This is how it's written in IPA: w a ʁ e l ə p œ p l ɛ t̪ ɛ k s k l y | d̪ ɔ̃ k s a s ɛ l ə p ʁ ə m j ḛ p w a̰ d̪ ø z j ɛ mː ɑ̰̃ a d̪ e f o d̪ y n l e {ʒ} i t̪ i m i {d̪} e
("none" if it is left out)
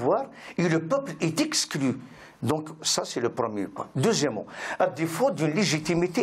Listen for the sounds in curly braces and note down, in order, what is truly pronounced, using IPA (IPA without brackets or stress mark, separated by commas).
ʒ, t̪